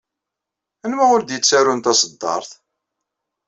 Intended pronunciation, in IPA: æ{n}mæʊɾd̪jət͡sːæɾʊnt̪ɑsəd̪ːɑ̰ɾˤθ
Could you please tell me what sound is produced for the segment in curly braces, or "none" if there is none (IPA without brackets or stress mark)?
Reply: n